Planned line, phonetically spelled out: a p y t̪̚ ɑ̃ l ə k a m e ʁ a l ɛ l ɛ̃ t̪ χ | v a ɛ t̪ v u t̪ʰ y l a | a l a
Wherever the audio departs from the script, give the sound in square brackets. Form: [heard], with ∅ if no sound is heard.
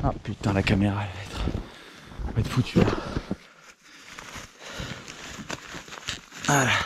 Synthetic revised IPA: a p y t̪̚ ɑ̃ l [a] k a m e ʁ a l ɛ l [ɛ] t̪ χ | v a ɛ t̪ [f] u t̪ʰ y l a | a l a